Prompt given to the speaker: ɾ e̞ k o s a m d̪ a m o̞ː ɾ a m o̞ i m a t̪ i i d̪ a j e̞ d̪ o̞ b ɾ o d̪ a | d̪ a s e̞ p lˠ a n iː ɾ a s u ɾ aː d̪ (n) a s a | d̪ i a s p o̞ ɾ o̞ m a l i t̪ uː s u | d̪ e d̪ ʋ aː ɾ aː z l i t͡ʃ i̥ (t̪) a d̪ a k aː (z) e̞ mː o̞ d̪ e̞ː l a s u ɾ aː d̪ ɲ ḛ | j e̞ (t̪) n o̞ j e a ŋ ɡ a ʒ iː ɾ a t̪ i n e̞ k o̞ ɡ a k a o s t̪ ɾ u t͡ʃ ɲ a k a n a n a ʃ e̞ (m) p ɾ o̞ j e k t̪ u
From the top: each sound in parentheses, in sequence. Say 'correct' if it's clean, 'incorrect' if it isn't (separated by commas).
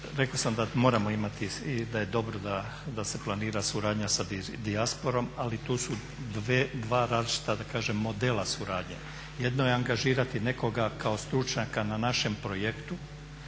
incorrect, correct, incorrect, incorrect, correct